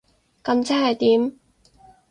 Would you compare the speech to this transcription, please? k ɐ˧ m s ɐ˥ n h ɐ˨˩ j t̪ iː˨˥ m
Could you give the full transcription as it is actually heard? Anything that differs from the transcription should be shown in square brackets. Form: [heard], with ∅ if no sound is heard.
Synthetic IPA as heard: k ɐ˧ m [t͡s] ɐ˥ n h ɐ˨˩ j t̪ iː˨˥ m